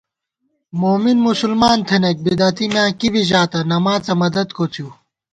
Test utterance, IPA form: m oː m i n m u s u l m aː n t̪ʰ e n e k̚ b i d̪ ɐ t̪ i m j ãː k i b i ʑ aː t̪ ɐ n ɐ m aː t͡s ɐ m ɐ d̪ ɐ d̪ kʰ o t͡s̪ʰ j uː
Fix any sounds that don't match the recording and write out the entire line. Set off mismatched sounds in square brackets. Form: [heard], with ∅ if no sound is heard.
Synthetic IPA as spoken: m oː m i n m u s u l m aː n t̪ʰ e n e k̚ b i d̪ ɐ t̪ i m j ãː k i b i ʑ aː t̪ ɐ n ɐ m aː t͡s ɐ m ɐ d̪ ɐ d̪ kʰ o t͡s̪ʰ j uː